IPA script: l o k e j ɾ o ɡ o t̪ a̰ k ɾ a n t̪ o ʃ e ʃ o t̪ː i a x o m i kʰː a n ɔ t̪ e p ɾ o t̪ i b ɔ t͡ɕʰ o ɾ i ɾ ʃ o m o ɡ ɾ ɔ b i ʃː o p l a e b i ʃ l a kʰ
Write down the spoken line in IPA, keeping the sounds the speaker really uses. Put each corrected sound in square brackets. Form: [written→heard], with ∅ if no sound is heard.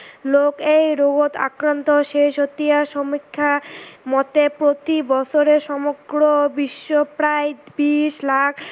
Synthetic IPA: l o k e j ɾ o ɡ o t̪ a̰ k ɾ a n t̪ o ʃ e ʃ o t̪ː i a [x→ʃ] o m i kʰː a [n→m] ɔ t̪ e p ɾ o t̪ i b ɔ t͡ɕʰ o ɾ [i→e] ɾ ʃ [o→ɔ] m o ɡ ɾ [ɔ→o] b i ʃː o p [l→ɾ] a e b i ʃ l a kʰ